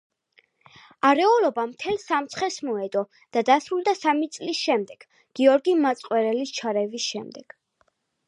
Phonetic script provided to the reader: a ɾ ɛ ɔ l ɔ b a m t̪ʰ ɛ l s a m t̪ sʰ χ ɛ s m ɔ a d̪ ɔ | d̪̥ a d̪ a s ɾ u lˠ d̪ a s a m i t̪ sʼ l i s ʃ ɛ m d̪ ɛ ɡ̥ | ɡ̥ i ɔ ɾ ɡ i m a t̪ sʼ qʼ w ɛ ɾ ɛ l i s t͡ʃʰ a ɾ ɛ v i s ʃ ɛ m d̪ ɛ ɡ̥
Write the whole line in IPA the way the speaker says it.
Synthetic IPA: a ɾ ɛ ɔ l ɔ b a m t̪ʰ ɛ l s a m t̪ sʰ χ ɛ s m ɔ ɛ d̪ ɔ | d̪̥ a d̪ a s ɾ u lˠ d̪ a s a m i t̪ sʼ l i s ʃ ɛ m d̪ ɛ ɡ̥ | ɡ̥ i ɔ ɾ ɡ i m a t̪ sʼ qʼ w ɛ ɾ ɛ l i s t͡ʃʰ a ɾ ɛ v i s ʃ ɛ m d̪ ɛ ɡ̥